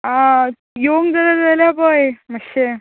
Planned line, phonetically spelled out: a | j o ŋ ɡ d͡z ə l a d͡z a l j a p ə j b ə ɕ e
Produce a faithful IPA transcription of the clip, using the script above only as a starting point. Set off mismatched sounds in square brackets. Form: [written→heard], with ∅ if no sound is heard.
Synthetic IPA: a | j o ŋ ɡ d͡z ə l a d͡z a l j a p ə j [b→m] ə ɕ e